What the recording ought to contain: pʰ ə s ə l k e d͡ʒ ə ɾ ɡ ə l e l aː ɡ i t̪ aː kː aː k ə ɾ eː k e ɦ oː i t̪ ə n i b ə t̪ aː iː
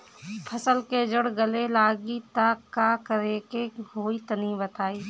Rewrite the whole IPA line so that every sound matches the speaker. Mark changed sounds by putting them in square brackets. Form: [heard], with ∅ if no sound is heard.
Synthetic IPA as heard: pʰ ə s ə l k e d͡ʒ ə [ɽ] ɡ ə l e l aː ɡ i t̪ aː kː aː k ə ɾ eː k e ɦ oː i t̪ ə n i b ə t̪ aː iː